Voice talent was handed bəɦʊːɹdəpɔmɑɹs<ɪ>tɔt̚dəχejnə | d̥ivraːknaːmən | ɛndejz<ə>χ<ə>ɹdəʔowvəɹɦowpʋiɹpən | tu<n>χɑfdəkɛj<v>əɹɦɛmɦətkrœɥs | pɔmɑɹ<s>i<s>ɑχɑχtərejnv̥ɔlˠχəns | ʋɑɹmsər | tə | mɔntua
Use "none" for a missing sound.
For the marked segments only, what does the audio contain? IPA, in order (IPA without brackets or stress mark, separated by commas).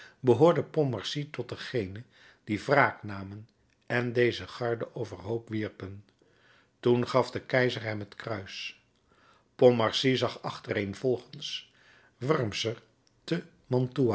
i, ə, ɑ, n, z, s, z